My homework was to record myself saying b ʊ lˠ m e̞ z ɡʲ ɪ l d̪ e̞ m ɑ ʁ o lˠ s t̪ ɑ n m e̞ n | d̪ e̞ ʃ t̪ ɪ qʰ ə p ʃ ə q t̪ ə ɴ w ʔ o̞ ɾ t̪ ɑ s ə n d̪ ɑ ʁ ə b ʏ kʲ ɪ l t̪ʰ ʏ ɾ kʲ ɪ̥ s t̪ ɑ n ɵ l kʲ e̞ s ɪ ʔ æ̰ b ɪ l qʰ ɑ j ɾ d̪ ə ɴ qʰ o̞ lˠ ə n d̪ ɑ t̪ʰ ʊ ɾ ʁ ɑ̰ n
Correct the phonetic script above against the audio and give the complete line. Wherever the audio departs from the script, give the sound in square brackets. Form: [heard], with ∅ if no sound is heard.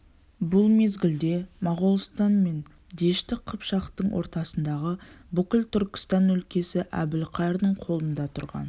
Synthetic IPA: b ʊ lˠ m e̞ z ɡʲ ɪ l d̪ e̞ m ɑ ʁ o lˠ s t̪ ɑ n m e̞ n | d̪ e̞ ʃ t̪ ɪ qʰ ə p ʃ [ɑ] q t̪ ə ɴ w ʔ o̞ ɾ t̪ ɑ s ə n d̪ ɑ ʁ ə b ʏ kʲ ɪ l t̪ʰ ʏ ɾ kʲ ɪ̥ s t̪ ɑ n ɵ l kʲ e̞ s ɪ ʔ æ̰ b ɪ l qʰ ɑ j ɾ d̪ ə ɴ qʰ o̞ lˠ ə n d̪ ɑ t̪ʰ ʊ ɾ ʁ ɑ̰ n